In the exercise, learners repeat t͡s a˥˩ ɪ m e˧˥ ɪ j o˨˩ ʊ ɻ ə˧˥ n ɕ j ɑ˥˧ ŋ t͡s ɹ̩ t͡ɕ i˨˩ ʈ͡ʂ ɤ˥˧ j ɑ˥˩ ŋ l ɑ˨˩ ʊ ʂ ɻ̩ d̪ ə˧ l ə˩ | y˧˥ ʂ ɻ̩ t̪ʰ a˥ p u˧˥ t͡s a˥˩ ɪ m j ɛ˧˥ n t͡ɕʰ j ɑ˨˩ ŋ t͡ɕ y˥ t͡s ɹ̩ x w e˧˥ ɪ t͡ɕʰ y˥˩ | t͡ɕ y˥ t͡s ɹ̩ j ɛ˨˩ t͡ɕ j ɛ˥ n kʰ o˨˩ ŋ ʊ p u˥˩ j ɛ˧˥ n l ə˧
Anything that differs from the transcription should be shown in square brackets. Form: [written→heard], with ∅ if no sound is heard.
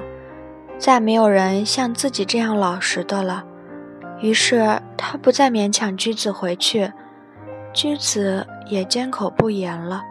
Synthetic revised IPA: t͡s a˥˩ ɪ m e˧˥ ɪ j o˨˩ ʊ ɻ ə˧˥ n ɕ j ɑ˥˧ ŋ t͡s ɹ̩ t͡ɕ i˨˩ ʈ͡ʂ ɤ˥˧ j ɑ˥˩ ŋ l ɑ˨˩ ʊ ʂ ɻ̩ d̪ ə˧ l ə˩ | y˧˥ ʂ ɻ̩ t̪ʰ a˥ p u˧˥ t͡s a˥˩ ɪ m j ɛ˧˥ n t͡ɕʰ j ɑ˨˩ ŋ t͡ɕ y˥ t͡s ɹ̩ x w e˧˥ ɪ t͡ɕʰ y˥˩ | t͡ɕ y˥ t͡s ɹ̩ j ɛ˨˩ t͡ɕ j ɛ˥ n kʰ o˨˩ [ŋ→∅] ʊ p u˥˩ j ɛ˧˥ n l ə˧